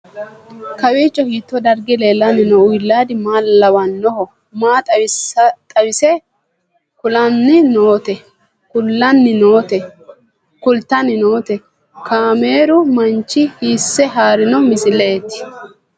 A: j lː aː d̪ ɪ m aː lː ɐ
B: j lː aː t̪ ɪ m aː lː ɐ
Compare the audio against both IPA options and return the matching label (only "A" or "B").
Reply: A